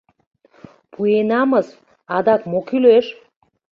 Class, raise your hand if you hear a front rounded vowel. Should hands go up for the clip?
yes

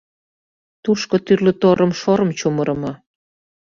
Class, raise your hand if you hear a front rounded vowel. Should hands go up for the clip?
yes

